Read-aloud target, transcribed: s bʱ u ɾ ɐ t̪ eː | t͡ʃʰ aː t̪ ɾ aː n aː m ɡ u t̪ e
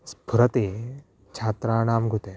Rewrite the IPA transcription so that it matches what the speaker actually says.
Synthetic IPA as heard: s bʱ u ɾ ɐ t̪ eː | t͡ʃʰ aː t̪ ɾ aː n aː m ɡ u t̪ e